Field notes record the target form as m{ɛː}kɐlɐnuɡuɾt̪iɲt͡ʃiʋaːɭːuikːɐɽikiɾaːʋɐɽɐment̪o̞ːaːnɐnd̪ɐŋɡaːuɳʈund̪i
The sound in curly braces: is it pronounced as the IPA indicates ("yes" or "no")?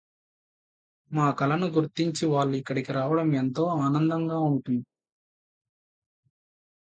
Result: no